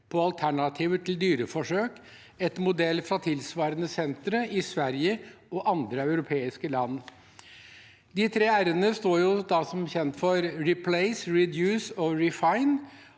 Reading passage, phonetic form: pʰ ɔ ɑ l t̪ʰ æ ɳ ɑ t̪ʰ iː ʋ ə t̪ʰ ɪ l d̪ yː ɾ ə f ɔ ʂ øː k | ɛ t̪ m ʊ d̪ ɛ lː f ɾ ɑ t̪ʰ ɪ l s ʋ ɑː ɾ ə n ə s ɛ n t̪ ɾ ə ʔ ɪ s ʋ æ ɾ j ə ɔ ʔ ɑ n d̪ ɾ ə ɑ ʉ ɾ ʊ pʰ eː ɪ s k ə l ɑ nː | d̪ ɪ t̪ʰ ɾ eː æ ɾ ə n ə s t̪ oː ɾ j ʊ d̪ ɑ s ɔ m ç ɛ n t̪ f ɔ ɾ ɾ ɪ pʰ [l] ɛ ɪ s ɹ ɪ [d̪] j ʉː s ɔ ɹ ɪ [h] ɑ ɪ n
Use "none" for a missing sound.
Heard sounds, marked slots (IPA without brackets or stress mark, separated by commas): l, d̪, f